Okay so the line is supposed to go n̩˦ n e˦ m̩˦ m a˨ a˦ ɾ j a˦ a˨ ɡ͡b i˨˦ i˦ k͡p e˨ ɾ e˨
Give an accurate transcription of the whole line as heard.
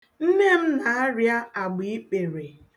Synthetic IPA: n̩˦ n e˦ m̩˦ n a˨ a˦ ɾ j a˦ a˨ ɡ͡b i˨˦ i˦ k͡p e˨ ɾ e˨